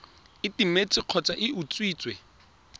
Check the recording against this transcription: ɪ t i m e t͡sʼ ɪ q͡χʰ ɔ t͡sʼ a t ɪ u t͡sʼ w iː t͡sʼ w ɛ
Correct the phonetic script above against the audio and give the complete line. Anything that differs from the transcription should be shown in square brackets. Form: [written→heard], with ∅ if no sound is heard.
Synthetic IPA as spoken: ɪ t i m e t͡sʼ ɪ q͡χʰ ɔ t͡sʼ a [t→ʔ] ɪ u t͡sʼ w iː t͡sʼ w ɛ